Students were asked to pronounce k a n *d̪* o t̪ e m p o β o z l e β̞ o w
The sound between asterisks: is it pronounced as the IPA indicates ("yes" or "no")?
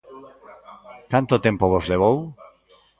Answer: no